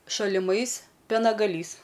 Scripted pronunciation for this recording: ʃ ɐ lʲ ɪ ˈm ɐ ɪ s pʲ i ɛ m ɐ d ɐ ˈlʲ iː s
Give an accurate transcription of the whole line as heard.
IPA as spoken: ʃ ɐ lʲ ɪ ˈm ɐ ɪ s pʲ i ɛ n ɐ ɡ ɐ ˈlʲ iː s